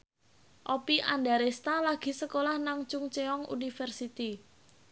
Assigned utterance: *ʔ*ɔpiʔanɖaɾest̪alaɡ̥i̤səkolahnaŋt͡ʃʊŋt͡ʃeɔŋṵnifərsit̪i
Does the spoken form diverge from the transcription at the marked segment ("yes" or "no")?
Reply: no